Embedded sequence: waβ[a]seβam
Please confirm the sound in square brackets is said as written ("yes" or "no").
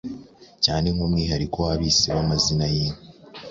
no